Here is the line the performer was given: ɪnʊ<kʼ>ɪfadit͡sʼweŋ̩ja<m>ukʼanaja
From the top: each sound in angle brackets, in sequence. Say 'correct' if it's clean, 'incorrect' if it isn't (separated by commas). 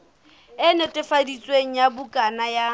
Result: incorrect, incorrect